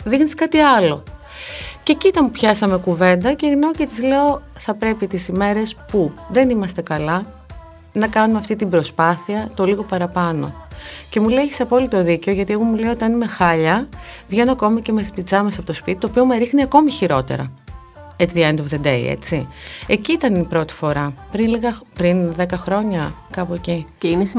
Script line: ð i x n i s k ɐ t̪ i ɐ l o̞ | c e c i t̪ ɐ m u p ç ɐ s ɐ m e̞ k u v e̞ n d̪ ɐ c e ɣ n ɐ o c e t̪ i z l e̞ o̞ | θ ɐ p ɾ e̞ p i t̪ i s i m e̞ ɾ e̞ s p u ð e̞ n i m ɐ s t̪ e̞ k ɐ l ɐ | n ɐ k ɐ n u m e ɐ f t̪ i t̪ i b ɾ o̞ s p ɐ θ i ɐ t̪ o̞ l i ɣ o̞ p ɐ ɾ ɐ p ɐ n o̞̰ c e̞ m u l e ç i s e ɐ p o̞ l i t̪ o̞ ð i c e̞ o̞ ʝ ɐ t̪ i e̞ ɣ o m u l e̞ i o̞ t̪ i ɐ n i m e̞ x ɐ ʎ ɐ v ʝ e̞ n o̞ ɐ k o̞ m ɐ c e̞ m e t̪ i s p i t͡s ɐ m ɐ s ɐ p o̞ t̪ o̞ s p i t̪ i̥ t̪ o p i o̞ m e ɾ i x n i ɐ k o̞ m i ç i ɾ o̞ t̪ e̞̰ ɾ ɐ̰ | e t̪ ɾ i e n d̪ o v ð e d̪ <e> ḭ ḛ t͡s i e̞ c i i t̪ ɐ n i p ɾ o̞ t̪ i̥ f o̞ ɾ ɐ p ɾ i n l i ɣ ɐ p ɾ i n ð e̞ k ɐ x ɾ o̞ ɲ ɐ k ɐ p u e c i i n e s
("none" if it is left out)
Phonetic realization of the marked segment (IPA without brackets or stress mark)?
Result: e